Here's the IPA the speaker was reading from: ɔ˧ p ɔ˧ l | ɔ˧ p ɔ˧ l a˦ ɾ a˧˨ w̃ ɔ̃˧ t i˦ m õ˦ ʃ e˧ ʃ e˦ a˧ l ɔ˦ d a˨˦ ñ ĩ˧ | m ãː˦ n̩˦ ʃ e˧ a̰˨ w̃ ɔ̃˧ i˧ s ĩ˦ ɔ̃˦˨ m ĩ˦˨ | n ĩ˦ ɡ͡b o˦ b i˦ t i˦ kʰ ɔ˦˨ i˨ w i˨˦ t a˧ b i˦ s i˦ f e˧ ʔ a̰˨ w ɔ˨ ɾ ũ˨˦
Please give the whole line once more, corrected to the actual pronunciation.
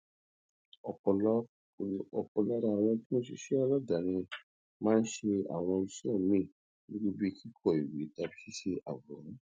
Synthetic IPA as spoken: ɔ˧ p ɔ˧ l | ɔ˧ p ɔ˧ l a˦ ɾ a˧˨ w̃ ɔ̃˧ t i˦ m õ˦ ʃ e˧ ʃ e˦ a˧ l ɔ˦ d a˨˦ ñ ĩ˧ | m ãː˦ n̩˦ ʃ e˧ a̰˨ w̃ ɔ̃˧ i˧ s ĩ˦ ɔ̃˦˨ m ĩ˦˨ | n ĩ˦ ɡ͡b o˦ b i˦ k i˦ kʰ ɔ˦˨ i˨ w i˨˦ t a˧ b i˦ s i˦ ʃ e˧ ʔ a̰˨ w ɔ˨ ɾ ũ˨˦